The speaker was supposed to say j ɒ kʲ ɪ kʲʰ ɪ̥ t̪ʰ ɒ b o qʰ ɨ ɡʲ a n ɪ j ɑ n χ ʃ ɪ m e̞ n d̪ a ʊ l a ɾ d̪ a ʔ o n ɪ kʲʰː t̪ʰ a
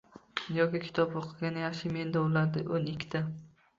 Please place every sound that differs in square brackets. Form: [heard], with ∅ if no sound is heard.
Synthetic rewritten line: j ɒ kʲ ɪ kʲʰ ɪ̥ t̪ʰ ɒ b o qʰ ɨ ɡʲ a n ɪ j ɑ [∅] χ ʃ ɪ m e̞ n d̪ a ʊ l a ɾ d̪ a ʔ o n ɪ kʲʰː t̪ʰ a